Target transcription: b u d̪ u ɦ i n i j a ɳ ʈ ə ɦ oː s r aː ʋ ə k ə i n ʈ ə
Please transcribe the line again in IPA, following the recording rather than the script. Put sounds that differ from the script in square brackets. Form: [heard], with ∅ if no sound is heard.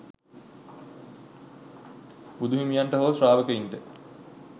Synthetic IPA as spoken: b u d̪ u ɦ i [m] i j a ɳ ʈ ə ɦ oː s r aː ʋ ə k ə i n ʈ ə